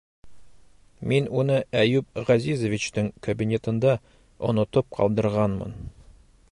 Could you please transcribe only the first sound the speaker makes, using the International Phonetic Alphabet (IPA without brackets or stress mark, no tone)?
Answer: m